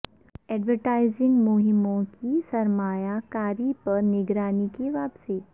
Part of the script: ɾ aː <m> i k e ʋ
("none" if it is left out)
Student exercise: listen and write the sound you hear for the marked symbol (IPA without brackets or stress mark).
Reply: n